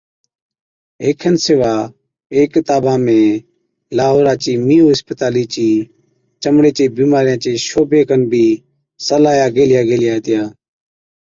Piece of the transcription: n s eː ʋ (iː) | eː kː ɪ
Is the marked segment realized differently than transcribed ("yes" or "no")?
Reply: yes